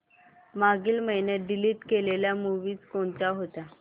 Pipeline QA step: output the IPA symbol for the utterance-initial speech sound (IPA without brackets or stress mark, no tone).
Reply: m